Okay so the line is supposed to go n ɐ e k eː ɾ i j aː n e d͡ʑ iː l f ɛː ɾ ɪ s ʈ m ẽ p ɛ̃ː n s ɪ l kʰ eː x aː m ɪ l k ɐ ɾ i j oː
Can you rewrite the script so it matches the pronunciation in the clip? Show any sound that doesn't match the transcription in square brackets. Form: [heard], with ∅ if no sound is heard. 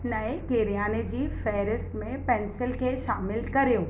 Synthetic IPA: n ɐ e k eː ɾ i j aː n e d͡ʑ iː [∅] f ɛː ɾ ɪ s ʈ m ẽ p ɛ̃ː n s ɪ l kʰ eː [ʃ] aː m ɪ l k ɐ ɾ i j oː

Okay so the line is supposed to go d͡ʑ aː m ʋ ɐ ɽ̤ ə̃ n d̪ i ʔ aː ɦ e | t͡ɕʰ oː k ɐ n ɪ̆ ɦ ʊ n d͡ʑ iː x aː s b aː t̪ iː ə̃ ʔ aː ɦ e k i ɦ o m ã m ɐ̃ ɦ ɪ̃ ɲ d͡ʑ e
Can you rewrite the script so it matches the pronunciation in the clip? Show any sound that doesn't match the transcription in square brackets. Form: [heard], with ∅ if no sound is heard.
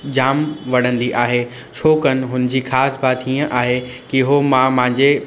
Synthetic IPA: d͡ʑ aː m ʋ ɐ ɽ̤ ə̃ n d̪ i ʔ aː ɦ e | t͡ɕʰ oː k [ə] n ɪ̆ ɦ ʊ n d͡ʑ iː x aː s b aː t̪ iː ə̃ ʔ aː ɦ e k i ɦ o m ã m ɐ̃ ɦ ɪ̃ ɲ d͡ʑ e

